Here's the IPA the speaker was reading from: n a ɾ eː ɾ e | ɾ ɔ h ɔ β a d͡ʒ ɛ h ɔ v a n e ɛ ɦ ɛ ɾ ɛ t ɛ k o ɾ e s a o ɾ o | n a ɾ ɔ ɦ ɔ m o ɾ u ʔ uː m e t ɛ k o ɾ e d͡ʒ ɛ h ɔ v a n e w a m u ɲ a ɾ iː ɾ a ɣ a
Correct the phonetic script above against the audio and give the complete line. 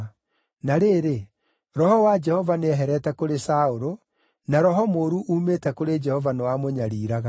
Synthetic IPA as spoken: n a ɾ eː ɾ e | ɾ ɔ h ɔ w a d͡ʒ ɛ h ɔ v a n e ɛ ɦ ɛ ɾ ɛ t ɛ k o ɾ e s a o ɾ o | n a ɾ ɔ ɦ ɔ m o ɾ u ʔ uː m e t ɛ k o ɾ e d͡ʒ ɛ h ɔ v a n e w a m o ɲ a ɾ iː ɾ a ɣ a